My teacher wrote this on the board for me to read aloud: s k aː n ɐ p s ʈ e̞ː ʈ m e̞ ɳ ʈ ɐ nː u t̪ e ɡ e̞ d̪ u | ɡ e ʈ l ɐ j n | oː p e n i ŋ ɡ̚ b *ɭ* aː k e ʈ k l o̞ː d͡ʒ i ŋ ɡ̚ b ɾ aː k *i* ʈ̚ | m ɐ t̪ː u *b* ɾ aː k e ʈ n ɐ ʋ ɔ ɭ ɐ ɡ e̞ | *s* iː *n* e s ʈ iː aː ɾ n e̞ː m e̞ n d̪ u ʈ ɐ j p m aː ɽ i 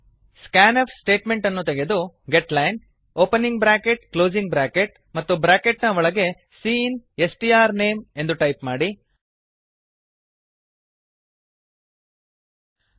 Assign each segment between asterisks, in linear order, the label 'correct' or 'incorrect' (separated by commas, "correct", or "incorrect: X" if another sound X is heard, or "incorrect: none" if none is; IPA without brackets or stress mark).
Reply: incorrect: ɾ, incorrect: e, correct, correct, correct